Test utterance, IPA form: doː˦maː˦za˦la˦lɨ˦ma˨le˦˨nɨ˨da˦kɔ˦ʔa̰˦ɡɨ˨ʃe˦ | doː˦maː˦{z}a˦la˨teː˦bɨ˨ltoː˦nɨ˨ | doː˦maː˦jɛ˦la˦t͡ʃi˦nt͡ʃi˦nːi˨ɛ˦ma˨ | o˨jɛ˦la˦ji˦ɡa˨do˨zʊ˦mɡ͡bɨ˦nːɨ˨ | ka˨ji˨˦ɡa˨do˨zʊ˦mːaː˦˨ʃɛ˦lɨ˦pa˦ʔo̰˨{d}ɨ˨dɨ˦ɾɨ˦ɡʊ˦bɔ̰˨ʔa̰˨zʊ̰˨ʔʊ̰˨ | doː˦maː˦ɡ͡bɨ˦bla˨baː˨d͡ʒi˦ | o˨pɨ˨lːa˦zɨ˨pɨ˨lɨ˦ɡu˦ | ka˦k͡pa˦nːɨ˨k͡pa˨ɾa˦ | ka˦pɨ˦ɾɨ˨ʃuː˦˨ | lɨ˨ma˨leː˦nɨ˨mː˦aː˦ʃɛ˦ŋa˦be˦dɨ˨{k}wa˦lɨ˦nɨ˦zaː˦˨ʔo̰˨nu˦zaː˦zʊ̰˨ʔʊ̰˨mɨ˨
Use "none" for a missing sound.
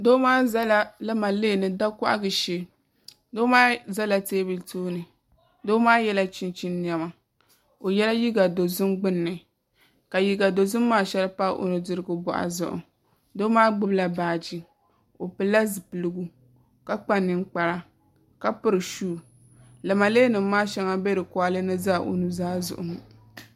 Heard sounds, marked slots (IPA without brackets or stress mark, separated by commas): z, n, k